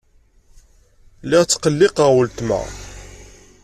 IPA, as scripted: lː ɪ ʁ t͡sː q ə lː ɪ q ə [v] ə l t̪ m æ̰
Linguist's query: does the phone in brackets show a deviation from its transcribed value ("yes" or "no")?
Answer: yes